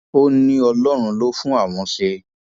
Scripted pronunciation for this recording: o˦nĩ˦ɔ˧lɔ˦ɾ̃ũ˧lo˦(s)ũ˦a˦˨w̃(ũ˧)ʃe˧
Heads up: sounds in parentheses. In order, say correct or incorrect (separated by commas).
incorrect, incorrect